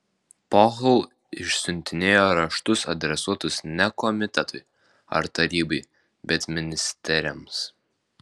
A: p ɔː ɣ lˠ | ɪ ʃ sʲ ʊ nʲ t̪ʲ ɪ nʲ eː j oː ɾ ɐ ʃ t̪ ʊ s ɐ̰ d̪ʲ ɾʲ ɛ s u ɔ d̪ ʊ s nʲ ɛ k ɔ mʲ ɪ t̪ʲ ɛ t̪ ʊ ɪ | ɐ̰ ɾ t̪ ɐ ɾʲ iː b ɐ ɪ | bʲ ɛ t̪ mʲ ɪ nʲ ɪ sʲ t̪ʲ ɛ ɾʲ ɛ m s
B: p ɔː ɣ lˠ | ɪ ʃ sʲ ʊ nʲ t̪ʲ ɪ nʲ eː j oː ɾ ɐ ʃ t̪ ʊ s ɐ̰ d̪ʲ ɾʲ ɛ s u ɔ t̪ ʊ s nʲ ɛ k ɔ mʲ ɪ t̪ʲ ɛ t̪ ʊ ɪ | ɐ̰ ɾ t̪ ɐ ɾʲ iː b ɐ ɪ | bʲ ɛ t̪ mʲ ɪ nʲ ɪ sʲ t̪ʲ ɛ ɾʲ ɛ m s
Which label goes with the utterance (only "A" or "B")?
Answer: B